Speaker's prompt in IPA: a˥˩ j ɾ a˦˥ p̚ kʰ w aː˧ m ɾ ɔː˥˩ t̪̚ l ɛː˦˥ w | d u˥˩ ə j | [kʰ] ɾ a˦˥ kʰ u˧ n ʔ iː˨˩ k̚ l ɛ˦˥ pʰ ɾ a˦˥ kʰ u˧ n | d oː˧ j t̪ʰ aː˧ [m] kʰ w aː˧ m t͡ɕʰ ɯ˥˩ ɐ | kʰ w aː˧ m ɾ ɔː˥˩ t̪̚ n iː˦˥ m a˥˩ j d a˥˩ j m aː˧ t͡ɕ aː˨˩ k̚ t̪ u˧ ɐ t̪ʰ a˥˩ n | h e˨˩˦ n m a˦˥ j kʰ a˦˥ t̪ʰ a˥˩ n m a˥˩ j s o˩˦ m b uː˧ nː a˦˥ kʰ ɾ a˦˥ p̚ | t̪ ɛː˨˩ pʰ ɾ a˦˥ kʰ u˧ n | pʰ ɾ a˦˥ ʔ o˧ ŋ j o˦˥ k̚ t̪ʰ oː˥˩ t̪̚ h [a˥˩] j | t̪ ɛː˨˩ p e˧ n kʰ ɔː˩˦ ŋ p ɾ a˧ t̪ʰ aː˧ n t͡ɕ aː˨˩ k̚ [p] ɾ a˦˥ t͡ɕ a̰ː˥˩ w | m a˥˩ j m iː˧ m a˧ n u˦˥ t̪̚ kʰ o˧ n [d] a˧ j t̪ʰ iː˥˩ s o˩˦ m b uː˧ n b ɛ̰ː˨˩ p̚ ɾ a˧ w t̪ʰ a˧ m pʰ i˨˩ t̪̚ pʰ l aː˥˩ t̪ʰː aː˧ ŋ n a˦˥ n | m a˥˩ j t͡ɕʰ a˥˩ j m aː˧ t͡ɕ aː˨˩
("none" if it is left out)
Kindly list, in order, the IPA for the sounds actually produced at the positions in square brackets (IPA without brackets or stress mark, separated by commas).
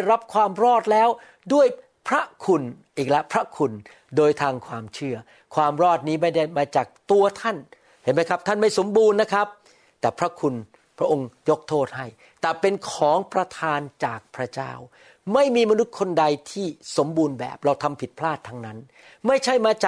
pʰ, ŋ, a˥˩, pʰ, d